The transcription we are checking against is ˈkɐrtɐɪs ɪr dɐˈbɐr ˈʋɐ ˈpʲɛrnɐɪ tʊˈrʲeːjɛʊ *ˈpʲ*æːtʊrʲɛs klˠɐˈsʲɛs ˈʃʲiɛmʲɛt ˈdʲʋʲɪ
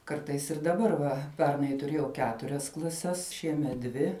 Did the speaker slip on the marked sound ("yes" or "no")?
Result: yes